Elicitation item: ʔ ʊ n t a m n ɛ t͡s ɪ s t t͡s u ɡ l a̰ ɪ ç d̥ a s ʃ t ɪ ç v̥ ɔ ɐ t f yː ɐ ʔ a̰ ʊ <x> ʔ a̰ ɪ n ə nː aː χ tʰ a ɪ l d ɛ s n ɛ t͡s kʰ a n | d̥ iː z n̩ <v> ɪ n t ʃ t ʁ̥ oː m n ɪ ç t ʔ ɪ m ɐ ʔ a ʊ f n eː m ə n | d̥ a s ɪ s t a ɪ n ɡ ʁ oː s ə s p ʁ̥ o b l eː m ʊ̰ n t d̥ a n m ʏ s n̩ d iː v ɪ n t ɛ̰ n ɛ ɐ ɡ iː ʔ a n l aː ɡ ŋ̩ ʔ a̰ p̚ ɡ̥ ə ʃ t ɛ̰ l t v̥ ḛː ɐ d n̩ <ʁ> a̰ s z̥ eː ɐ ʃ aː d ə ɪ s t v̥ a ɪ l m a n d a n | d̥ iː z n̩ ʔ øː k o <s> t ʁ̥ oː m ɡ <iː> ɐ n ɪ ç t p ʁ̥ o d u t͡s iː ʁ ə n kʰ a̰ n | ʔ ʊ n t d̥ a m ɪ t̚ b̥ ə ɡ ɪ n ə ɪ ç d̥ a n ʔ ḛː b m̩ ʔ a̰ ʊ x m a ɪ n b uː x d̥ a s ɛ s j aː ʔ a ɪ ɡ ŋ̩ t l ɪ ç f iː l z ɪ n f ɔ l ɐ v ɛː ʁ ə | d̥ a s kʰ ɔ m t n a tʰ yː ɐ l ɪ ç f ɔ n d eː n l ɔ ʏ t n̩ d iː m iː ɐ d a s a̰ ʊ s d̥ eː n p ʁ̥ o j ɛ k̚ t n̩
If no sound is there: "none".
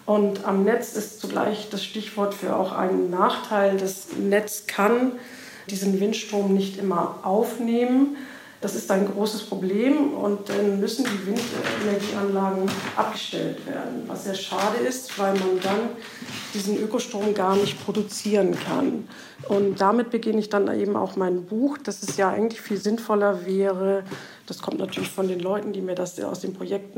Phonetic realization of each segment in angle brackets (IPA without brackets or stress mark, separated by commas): x, v, v, ʃ, aː